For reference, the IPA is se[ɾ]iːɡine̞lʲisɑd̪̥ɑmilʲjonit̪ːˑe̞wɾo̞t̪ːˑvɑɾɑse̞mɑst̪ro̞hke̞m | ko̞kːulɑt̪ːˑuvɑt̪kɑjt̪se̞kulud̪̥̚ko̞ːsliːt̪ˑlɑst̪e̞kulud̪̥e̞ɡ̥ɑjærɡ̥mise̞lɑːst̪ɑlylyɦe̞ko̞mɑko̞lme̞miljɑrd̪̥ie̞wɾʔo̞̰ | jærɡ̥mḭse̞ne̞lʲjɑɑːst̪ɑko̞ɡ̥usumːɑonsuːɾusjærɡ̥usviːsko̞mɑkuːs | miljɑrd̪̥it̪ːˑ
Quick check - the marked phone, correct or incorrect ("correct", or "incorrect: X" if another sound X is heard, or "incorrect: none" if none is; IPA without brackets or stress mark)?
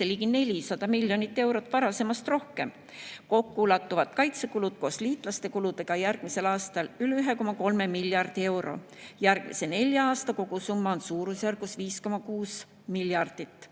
incorrect: l